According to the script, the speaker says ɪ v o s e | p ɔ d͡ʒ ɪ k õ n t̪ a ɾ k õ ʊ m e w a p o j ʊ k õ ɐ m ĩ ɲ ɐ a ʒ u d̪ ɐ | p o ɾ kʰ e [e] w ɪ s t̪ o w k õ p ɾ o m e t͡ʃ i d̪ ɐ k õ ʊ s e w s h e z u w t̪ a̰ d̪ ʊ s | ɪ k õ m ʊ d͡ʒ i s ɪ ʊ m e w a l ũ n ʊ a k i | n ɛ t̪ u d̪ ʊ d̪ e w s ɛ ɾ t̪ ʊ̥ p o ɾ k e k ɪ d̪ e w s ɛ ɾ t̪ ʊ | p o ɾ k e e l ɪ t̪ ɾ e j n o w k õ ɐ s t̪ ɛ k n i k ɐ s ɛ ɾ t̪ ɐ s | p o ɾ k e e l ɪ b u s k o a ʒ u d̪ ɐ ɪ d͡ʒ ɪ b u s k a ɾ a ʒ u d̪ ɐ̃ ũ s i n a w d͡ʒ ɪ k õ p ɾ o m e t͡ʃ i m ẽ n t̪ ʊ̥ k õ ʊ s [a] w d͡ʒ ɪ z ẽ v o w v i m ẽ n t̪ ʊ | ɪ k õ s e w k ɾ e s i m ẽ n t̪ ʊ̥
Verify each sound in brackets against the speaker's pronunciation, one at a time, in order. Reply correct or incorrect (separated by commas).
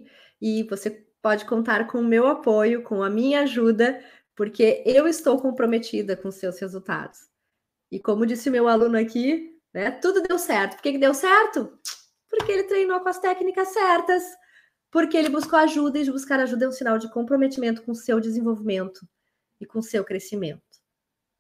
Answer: correct, incorrect